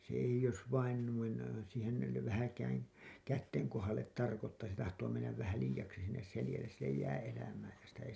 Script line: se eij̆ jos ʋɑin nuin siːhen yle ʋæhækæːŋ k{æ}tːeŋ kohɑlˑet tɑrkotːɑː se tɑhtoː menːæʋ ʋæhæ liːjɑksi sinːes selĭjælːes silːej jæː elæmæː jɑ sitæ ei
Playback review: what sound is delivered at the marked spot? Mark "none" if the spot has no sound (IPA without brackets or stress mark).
æ